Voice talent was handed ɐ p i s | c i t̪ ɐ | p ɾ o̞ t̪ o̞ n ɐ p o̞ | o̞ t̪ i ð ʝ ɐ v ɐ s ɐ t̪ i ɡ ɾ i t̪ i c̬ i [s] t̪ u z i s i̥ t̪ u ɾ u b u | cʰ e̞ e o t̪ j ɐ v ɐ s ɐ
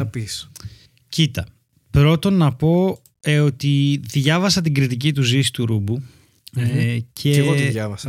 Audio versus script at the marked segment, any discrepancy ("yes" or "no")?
yes